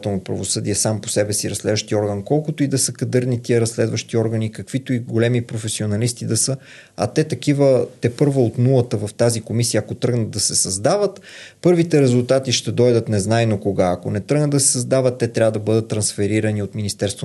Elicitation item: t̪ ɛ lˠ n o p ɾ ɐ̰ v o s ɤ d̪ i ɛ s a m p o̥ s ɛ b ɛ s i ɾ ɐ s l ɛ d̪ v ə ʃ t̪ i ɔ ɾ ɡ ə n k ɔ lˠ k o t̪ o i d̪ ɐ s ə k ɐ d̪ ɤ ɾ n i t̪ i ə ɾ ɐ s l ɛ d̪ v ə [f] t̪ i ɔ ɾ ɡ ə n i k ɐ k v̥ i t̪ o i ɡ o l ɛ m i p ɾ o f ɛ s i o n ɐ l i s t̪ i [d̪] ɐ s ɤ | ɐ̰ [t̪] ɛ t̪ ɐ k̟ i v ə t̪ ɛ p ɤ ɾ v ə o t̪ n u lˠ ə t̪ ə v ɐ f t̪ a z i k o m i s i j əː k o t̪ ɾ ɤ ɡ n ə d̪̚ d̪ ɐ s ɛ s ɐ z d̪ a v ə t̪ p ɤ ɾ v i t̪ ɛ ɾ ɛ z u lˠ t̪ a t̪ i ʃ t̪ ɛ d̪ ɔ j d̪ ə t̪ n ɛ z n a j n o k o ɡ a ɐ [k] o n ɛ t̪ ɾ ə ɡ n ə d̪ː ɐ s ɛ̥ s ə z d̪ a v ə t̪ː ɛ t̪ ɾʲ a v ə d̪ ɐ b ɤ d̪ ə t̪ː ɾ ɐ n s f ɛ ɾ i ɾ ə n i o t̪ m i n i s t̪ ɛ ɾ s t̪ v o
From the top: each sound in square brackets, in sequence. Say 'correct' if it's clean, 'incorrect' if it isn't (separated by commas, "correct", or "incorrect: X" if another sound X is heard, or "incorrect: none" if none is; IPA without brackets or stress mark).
incorrect: ʃ, correct, correct, correct